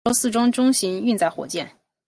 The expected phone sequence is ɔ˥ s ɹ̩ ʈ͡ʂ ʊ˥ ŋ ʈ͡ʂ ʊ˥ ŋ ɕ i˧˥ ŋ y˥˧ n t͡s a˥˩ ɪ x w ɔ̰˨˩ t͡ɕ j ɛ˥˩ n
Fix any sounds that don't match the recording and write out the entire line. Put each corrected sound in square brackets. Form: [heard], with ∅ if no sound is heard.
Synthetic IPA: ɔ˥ s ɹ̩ ʈ͡ʂ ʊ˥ ŋ ʈ͡ʂ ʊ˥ ŋ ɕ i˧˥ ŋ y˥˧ n t͡s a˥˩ ɪ x w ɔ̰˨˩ t͡ɕ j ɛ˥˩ n